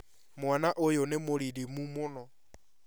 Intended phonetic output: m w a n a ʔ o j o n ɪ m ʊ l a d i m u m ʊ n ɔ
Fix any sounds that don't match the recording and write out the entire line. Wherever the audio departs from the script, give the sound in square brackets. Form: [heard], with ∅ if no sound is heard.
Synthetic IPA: m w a n a ʔ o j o n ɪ m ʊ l [i] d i m u m ʊ n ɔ